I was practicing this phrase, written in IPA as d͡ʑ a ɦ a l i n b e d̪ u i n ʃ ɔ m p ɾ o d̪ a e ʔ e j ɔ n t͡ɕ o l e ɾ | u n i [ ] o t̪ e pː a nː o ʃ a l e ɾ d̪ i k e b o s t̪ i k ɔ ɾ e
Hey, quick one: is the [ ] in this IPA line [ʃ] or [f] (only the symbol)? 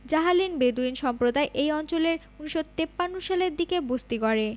ʃ